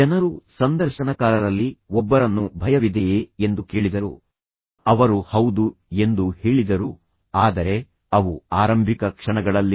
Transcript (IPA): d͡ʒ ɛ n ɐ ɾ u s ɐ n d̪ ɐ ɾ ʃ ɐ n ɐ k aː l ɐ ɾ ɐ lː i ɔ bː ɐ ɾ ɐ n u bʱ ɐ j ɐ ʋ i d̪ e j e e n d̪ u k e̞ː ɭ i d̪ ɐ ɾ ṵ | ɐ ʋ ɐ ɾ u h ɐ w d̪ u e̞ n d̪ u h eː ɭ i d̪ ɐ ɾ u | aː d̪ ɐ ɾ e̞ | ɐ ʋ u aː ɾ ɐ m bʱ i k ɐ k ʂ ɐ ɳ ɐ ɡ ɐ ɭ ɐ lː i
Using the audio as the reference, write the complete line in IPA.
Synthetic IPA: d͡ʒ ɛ n ɐ ɾ u s ɐ n d̪ ɐ ɾ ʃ ɐ n ɐ k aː l ɐ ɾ ɐ lː i ɔ bː ɐ ɾ ɐ nː u bʱ ɐ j ɐ ʋ i d̪ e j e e n d̪ u k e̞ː ɭ i d̪ ɐ ɾ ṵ | ɐ ʋ ɐ ɾ u h ɐ w d̪ u e̞ n d̪ u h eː ɭ i d̪ ɐ ɾ u | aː d̪ ɐ ɾ e̞ | ɐ ʋ u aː ɾ ɐ m bʱ i k ɐ k ʂ ɐ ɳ ɐ ɡ ɐ ɭ ɐ lː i